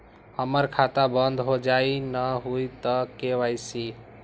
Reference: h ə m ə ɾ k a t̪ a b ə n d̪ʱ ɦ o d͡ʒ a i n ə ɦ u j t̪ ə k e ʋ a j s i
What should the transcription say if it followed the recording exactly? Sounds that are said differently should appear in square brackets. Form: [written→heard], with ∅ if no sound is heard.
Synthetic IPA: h ə m ə ɾ [k→kʰ] a t̪ a b ə n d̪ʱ ɦ o d͡ʒ a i n ə ɦ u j t̪ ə k e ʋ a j s i

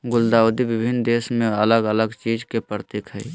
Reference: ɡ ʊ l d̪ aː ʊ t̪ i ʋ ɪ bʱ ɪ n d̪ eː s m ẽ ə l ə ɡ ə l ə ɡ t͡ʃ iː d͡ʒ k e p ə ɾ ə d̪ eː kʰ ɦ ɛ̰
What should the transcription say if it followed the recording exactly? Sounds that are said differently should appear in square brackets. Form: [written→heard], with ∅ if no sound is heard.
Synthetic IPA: ɡ ʊ l d̪ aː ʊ [t̪→d̪] i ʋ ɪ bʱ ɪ n d̪ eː s m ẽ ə l ə ɡ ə l ə ɡ t͡ʃ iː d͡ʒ k e p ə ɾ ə [d̪→t̪] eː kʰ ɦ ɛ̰

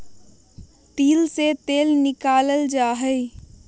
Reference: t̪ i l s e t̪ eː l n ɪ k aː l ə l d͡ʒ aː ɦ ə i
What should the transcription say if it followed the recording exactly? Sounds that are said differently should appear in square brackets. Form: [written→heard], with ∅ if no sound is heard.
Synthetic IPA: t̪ [i→iː] l s e t̪ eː l n ɪ k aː l ə l d͡ʒ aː ɦ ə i

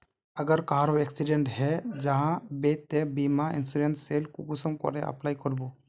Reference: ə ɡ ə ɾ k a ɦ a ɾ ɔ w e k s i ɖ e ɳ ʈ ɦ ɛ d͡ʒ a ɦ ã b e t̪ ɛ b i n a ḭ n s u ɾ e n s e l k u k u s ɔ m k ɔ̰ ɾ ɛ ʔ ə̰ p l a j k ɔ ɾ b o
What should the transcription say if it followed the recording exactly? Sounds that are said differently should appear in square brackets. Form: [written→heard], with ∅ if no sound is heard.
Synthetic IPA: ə ɡ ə ɾ k a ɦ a ɾ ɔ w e k s i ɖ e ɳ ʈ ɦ ɛ d͡ʒ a ɦ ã b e t̪ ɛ b i [n→m] a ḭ n s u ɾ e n s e l k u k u s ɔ m k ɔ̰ ɾ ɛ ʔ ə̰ p l a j k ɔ ɾ b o

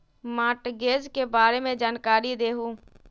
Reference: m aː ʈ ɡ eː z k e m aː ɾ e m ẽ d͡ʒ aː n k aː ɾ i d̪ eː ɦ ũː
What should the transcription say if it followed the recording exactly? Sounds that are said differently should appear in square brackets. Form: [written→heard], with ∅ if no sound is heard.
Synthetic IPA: m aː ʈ ɡ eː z k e [m→b] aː ɾ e m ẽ d͡ʒ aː n k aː ɾ i d̪ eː ɦ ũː

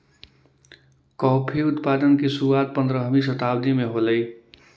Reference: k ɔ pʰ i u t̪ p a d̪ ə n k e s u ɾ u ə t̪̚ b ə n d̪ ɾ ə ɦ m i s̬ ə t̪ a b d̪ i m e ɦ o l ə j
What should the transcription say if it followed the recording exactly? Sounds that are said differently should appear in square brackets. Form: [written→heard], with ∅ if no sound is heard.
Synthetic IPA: k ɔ pʰ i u t̪ p a d̪ ə n k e s u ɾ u [ə→a] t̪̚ [b→p] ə n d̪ ɾ ə ɦ m i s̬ ə t̪ a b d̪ i m e ɦ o l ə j

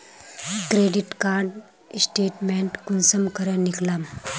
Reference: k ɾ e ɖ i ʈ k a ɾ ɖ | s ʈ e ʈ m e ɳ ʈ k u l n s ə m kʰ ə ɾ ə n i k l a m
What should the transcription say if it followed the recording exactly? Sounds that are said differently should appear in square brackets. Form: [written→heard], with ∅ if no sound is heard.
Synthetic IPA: k ɾ e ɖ i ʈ k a ɾ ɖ | s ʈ e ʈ m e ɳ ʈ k u [l→∅] n s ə m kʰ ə ɾ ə n i k l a m

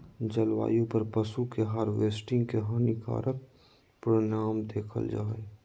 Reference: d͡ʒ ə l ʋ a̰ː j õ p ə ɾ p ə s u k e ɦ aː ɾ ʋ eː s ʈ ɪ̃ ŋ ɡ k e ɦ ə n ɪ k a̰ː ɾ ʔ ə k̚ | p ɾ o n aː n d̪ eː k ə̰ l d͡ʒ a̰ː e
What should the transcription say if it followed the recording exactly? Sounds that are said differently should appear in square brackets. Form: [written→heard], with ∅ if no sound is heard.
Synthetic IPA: d͡ʒ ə l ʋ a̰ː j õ p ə ɾ p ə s u k e ɦ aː ɾ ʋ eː s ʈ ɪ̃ ŋ ɡ k e ɦ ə n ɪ k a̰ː ɾ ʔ ə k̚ | p ɾ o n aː [n→m] d̪ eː [k→kʰ] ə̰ l d͡ʒ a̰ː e

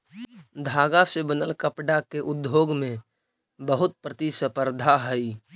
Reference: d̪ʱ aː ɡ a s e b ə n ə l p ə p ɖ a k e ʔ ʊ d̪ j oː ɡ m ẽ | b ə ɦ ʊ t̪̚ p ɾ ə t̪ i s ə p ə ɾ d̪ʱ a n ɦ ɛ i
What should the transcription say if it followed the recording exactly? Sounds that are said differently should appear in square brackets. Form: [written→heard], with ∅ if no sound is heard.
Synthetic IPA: d̪ʱ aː ɡ a s e b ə n ə l [p→k] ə p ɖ a k e ʔ ʊ d̪ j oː ɡ m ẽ | b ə ɦ ʊ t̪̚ p ɾ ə t̪ i s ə p ə ɾ d̪ʱ a [n→∅] ɦ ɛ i

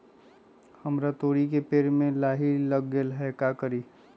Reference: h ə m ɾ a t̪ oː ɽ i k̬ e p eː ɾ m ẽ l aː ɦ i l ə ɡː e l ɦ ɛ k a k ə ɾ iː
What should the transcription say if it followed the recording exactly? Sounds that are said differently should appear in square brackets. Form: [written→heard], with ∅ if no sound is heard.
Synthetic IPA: h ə m ɾ a t̪ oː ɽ i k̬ e p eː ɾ m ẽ l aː ɦ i l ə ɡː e l ɦ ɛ k a k ə ɾ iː

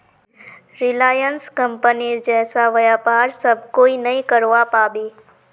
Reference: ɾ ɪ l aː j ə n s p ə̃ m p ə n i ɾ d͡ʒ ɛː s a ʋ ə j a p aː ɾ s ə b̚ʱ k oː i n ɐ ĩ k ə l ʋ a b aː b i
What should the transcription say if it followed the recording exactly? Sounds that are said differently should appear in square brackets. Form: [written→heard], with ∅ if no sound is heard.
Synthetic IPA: ɾ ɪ l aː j ə n s [p→k] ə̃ m p ə n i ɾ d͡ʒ ɛː s a ʋ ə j a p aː ɾ s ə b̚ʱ k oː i n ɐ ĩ k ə [l→ɾ] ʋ a [b→p] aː b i

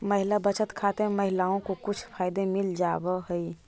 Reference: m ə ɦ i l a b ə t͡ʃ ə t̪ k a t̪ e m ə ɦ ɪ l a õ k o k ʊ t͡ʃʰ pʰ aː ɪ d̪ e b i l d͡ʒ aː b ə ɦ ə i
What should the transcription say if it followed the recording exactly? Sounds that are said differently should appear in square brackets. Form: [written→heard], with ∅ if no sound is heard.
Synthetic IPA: m ə ɦ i l a b ə t͡ʃ ə t̪ [k→kʰ] a t̪ e m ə ɦ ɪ l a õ k o k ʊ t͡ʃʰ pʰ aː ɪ d̪ e [b→m] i l d͡ʒ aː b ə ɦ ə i

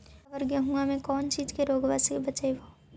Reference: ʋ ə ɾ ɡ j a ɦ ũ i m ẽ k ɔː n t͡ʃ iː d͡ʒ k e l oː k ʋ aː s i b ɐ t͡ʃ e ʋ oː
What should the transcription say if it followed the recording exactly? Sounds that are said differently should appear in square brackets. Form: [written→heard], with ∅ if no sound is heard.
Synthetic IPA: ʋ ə ɾ ɡ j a ɦ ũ [i→a] m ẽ k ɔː n t͡ʃ iː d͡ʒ k e [l→ɾ] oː [k→ɡ] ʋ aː s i b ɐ t͡ʃ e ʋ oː

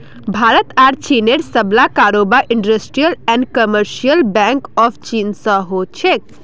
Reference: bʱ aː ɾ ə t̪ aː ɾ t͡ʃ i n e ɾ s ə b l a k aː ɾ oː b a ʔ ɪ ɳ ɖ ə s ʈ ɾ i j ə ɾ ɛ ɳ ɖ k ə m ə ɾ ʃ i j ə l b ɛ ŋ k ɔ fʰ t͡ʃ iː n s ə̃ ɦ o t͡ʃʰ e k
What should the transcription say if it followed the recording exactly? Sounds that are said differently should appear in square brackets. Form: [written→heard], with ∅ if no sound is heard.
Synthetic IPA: bʱ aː ɾ ə t̪ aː ɾ t͡ʃ i n e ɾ s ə b l a k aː ɾ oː b a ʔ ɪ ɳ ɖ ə s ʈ ɾ i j ə [ɾ→l] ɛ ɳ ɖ k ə m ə ɾ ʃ i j ə l b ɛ ŋ k ɔ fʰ t͡ʃ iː n s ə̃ ɦ o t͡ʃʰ e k

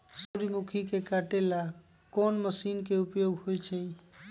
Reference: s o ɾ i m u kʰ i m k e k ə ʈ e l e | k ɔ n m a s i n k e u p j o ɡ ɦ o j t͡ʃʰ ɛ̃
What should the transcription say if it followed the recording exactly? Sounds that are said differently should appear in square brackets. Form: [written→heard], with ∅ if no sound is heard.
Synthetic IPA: s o ɾ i m u kʰ i [m→∅] k e k [ə→a] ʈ e l [e→a] | k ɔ n m [a→ə] s i n k e u p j o ɡ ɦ o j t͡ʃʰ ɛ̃

